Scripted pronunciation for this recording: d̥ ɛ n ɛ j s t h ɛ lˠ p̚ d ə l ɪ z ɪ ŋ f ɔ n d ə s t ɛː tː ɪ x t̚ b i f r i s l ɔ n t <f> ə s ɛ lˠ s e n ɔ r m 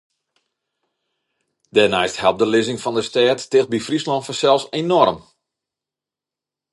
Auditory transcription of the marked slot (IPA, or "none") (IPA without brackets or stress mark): f